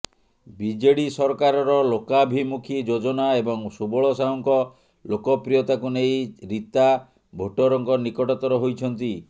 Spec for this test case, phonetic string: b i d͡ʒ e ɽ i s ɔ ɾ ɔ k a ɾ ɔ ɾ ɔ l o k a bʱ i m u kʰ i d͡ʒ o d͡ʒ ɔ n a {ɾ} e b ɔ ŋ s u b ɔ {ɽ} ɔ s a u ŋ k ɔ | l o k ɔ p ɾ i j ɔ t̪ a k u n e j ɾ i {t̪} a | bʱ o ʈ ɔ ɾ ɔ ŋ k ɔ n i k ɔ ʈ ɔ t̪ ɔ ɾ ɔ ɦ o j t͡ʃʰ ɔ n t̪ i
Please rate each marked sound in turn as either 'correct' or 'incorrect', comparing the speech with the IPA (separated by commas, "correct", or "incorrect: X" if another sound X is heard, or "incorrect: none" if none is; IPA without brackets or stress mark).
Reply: incorrect: none, incorrect: ɭ, correct